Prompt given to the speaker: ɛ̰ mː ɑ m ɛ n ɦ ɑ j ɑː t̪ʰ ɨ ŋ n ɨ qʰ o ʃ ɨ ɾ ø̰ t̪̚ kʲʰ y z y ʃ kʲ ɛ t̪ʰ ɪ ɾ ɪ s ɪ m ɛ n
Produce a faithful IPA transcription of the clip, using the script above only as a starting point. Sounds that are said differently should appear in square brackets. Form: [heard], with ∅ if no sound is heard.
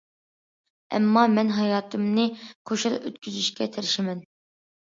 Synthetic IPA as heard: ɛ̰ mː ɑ m ɛ n ɦ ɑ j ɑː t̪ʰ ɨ [m] n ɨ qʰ o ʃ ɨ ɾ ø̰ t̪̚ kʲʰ y z y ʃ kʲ ɛ t̪ʰ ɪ ɾ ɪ [ʃ] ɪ m ɛ n